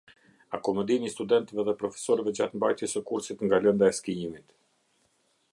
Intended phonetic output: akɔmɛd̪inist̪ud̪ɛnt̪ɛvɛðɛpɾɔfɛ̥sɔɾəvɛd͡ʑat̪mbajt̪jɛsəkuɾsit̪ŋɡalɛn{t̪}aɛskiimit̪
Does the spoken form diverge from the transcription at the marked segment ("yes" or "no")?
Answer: yes